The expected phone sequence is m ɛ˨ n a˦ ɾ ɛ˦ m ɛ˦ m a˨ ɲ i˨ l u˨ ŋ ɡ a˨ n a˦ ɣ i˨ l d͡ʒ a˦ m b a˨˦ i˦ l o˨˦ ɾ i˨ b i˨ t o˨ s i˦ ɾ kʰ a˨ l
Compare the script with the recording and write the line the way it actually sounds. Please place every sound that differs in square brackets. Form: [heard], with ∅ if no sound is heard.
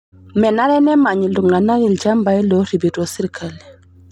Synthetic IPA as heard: m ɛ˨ n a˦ ɾ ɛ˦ [n] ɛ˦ m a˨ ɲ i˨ l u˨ ŋ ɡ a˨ n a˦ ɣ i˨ l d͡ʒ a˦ m b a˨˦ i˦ l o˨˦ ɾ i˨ b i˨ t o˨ s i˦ ɾ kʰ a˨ l

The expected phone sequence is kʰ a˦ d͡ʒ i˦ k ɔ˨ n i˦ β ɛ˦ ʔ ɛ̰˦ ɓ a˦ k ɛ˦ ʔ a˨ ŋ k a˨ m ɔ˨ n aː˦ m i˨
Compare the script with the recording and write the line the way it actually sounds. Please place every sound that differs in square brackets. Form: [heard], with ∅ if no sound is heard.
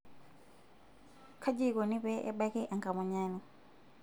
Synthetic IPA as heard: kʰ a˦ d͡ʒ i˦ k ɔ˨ n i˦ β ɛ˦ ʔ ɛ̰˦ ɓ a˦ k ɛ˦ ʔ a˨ ŋ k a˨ m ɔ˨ [ɲ] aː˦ [n] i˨

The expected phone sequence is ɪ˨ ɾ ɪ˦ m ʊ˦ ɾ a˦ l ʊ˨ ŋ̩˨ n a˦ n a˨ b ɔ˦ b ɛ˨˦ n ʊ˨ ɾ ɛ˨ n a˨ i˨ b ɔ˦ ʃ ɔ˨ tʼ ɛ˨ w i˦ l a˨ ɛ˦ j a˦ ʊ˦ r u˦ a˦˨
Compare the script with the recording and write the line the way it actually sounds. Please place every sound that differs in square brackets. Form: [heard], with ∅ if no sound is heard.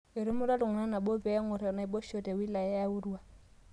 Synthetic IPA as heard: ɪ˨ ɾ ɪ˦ m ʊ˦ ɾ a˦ l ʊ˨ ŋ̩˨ n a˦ n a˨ b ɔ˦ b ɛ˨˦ [ŋ] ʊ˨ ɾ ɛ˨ n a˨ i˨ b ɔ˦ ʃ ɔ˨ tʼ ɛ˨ w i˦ l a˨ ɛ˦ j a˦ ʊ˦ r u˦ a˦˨

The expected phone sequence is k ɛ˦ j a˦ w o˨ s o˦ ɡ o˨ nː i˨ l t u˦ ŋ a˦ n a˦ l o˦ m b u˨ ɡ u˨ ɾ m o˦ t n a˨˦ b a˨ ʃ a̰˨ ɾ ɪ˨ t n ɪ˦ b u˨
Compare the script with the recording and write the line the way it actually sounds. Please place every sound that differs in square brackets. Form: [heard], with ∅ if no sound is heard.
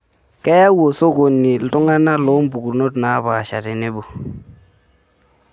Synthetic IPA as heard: k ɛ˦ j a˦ w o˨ s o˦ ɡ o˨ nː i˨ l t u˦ ŋ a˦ n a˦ l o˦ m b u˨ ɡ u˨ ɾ [n] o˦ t n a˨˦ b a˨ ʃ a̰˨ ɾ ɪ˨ [∅] n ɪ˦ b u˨

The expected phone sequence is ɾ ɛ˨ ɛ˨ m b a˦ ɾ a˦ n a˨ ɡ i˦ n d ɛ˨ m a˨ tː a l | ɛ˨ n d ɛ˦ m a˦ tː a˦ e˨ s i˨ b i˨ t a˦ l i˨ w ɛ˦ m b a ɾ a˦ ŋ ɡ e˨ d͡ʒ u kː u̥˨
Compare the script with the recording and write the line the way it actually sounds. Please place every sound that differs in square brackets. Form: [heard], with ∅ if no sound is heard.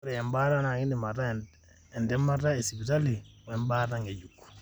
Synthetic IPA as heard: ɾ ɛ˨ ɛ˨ m b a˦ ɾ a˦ n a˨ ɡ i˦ n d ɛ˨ m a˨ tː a [∅] | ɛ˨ n d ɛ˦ m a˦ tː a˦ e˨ s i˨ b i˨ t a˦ l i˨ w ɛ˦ m b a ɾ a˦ ŋ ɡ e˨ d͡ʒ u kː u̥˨

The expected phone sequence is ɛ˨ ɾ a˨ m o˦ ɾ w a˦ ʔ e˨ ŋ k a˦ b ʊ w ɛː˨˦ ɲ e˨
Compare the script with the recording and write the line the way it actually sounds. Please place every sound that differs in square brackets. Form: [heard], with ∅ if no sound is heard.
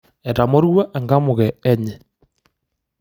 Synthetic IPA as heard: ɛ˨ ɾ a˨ m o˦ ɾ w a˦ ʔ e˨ ŋ [ɡ] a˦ [m] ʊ [ɣ] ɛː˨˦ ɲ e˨

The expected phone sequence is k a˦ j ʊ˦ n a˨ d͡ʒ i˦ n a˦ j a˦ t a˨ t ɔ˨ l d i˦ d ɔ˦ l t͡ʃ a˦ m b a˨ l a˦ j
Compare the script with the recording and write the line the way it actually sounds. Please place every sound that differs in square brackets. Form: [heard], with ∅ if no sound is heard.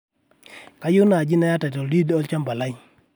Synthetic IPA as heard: k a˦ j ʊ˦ n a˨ d͡ʒ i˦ n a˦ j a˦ t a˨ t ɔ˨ l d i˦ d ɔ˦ l t͡ʃ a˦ m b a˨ l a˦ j

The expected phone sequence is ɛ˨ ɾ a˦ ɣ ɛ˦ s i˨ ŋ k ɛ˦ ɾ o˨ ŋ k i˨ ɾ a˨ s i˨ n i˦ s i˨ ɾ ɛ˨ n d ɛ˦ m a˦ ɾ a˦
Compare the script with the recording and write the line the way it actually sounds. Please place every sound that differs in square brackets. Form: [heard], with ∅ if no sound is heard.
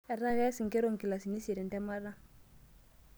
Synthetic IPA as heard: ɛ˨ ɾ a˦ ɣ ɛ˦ s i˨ ŋ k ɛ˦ ɾ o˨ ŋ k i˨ [l] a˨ s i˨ n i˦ s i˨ ɾ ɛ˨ n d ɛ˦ m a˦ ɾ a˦

